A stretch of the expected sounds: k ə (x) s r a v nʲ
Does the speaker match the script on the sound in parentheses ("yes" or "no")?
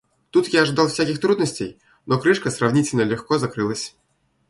no